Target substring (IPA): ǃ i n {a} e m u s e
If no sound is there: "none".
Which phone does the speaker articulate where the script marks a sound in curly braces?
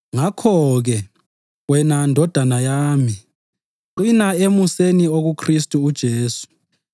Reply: a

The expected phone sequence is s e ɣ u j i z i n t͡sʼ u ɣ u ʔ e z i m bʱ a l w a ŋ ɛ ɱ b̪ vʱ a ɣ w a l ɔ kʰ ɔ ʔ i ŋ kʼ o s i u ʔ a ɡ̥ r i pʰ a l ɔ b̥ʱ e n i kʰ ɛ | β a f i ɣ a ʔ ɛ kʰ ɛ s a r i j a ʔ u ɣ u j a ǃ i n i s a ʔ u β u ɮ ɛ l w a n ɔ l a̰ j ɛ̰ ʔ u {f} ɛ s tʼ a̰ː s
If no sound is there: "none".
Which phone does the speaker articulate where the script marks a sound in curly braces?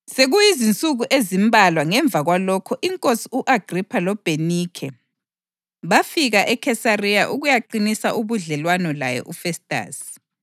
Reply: f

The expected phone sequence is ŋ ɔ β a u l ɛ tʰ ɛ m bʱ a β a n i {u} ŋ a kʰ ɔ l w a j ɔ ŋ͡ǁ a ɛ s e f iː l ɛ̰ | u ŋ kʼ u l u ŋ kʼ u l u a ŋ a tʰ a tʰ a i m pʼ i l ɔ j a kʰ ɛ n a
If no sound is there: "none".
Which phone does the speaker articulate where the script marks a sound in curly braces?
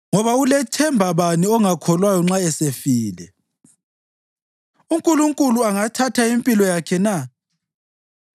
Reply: ɔ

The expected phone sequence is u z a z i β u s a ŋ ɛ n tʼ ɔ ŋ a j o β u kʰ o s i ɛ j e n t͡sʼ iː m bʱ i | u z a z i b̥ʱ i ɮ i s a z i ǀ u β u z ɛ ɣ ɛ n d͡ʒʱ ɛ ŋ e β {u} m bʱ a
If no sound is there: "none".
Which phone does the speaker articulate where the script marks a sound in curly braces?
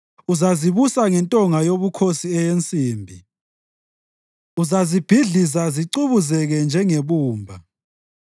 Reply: uː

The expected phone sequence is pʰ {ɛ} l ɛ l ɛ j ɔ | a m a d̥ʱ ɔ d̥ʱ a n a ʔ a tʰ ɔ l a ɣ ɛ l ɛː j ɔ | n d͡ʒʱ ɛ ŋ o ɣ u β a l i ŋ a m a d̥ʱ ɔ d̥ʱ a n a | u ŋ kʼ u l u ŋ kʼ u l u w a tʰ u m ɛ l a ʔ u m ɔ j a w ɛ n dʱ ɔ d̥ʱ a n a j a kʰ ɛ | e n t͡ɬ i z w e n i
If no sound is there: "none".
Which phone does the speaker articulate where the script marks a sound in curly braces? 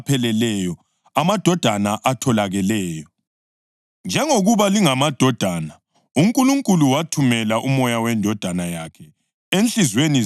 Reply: ɛ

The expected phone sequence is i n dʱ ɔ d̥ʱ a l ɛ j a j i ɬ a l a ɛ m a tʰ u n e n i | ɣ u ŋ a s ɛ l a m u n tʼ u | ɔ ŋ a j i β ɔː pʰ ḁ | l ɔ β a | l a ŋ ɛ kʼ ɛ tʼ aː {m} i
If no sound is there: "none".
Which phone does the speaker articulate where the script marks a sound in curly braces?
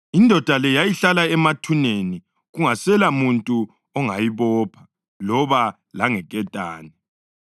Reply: n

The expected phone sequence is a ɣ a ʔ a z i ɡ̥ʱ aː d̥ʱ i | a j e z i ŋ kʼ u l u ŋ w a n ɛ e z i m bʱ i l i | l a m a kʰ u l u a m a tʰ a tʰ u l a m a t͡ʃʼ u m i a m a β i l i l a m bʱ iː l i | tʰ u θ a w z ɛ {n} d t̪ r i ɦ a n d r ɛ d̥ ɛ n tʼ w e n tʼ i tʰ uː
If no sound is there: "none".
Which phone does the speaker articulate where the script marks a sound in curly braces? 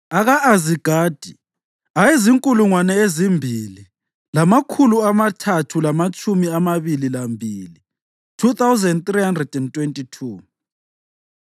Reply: n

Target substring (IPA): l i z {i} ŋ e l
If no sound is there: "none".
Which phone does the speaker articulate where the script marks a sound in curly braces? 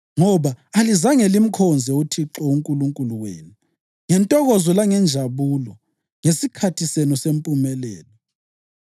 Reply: a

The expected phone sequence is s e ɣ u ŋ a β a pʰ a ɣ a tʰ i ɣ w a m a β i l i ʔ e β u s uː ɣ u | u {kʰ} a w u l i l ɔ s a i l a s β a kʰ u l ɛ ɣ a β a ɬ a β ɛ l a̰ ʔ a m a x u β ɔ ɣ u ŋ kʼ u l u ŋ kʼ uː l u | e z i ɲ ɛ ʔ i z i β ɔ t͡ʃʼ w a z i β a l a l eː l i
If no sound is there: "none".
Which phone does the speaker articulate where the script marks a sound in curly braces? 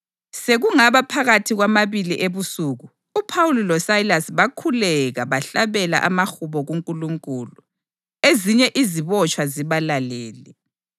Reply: pʰ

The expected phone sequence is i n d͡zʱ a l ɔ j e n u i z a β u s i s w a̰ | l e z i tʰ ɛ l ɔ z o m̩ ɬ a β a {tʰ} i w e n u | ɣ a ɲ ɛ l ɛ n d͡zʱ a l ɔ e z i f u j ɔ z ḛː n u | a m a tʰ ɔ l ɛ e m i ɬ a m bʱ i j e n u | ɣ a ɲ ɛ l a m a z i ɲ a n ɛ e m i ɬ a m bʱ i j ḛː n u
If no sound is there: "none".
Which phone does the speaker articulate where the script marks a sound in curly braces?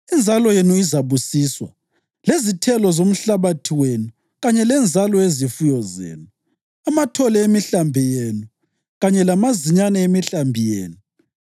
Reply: tʰ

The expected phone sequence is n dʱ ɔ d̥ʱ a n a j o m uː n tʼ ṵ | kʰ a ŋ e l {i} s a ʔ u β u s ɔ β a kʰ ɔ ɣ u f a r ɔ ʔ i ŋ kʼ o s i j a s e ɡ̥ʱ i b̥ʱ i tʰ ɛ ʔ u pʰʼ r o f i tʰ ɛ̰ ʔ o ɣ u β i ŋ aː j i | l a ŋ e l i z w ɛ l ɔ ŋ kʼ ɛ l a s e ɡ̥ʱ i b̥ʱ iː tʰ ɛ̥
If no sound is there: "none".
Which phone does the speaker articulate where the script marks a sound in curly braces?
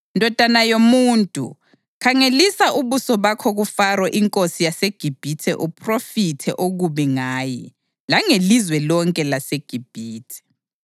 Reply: i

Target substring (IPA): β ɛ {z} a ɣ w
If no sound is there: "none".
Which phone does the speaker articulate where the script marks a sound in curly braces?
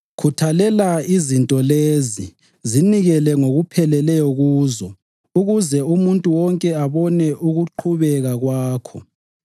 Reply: ɣ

